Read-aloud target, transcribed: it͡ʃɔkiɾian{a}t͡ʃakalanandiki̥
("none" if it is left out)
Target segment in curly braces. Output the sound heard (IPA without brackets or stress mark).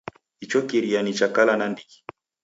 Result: i